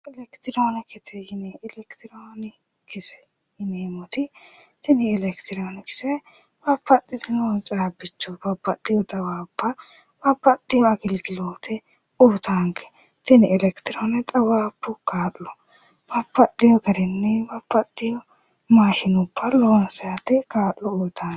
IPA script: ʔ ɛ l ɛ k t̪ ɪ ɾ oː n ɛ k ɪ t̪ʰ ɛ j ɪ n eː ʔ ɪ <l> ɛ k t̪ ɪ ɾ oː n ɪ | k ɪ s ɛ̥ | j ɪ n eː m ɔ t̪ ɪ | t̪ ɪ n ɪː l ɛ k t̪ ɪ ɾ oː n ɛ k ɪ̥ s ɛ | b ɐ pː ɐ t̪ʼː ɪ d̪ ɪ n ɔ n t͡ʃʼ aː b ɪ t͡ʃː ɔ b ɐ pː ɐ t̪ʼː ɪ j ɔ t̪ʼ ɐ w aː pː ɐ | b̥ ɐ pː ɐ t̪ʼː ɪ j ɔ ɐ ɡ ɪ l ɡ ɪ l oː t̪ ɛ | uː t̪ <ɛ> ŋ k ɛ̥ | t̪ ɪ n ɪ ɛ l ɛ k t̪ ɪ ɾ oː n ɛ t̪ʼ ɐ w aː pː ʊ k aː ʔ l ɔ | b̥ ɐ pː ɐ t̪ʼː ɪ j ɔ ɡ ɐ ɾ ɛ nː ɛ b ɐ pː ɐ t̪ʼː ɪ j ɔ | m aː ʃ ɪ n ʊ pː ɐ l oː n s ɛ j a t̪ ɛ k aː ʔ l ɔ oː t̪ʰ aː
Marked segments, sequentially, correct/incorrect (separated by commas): correct, incorrect